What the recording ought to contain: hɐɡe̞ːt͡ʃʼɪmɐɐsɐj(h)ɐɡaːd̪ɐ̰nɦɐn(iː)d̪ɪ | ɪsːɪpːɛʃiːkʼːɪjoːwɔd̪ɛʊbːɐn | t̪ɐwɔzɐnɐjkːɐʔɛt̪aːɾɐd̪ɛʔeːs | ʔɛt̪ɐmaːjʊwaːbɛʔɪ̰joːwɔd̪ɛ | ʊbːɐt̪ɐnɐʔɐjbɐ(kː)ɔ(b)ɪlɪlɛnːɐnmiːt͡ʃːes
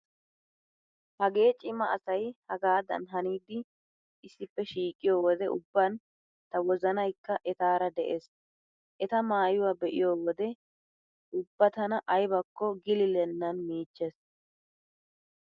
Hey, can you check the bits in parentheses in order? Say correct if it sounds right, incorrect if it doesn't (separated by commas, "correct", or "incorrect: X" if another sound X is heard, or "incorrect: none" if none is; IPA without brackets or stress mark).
correct, correct, correct, incorrect: ɡ